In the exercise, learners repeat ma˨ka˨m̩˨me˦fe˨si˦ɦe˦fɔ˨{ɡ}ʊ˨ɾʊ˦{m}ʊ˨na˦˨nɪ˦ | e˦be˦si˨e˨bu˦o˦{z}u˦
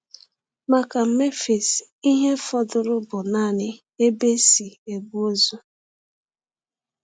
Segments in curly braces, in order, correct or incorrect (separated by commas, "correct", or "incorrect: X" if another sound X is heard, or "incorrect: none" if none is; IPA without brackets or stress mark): incorrect: d, incorrect: b, correct